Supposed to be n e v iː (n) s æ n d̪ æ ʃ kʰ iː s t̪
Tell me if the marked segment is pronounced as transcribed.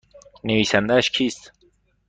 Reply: no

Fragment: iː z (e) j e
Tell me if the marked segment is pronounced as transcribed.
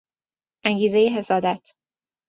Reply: yes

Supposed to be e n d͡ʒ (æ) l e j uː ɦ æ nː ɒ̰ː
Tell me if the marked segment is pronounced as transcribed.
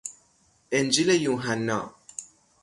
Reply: no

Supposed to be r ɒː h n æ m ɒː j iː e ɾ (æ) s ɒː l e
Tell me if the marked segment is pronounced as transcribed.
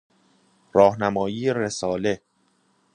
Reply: no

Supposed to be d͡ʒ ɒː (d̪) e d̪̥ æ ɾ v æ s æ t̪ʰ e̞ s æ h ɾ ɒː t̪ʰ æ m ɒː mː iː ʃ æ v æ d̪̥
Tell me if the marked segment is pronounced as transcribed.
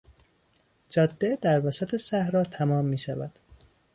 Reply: no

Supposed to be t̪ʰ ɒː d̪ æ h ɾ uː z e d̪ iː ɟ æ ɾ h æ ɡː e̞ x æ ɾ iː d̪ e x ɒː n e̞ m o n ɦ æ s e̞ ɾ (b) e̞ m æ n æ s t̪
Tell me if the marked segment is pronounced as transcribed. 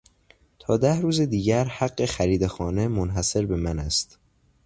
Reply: yes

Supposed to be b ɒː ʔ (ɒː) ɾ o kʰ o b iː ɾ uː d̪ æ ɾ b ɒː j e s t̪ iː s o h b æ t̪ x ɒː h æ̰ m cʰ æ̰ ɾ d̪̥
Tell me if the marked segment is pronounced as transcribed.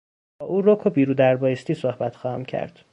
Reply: no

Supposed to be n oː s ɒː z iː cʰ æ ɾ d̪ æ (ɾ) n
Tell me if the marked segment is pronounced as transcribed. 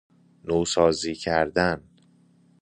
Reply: no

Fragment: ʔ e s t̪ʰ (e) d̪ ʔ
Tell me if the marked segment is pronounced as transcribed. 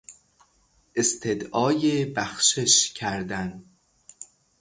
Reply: yes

